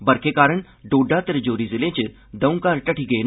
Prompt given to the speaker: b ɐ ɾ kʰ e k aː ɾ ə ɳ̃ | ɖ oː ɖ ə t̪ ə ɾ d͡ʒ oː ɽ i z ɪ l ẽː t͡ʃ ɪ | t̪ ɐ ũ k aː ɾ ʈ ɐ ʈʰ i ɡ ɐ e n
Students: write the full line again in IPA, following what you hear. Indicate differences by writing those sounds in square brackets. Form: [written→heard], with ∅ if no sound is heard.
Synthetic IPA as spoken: b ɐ ɾ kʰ e k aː ɾ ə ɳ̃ | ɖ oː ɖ [ə→a] t̪ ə ɾ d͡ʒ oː [ɽ→ɾ] i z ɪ l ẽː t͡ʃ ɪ | [t̪→d̪] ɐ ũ k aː ɾ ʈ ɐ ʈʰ i ɡ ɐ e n